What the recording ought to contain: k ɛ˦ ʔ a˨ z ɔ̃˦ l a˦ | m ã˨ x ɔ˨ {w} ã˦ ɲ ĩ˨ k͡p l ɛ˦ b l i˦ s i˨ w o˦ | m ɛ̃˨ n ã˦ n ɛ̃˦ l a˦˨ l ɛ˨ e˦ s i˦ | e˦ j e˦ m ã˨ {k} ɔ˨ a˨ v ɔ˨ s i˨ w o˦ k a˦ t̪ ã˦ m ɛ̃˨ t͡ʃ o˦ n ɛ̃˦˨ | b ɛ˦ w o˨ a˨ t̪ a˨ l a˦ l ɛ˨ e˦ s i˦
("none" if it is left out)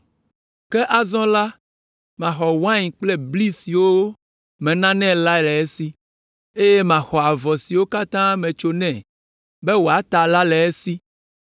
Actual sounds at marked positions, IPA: w, x

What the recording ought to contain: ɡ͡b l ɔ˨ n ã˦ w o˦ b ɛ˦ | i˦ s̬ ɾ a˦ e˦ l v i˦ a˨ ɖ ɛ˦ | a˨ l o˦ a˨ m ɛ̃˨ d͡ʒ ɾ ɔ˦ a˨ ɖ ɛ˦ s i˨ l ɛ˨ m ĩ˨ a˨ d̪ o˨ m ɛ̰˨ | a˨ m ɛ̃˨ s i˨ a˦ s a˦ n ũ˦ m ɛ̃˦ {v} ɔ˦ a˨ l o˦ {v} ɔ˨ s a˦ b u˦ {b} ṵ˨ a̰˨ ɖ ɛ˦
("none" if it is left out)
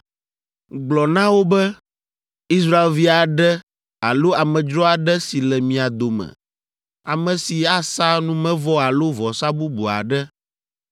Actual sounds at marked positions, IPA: v, v, b

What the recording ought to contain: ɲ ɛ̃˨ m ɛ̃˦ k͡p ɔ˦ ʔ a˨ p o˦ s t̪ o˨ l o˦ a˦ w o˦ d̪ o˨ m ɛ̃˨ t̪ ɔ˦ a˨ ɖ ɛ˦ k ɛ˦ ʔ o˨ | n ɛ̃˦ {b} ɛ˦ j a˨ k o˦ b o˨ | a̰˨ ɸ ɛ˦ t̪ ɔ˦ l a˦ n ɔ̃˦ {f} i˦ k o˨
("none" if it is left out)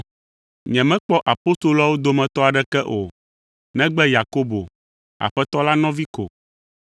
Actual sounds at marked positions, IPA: ɡ͡b, v

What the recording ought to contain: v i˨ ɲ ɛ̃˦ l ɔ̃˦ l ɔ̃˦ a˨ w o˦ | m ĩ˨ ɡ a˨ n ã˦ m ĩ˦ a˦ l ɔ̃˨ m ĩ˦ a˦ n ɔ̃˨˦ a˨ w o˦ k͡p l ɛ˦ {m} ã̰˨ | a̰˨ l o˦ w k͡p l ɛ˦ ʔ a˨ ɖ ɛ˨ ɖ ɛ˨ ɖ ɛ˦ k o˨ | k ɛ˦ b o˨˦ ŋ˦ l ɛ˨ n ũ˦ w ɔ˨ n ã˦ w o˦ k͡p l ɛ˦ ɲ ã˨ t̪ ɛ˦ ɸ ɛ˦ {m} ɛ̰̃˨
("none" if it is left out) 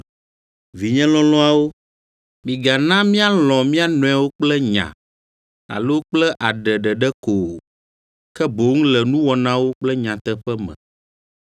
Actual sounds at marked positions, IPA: ɲ, m

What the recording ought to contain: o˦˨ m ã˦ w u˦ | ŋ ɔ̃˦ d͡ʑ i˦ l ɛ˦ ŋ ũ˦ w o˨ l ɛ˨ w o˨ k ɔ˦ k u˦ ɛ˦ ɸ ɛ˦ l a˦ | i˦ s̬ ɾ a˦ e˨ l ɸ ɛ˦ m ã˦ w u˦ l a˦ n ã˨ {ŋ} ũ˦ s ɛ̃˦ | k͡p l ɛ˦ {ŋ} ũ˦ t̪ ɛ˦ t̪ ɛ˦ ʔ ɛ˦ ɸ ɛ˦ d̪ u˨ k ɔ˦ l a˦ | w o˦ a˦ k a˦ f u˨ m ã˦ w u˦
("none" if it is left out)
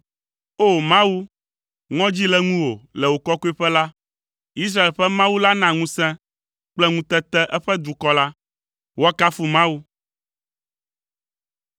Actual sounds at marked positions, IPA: ŋ, ŋ

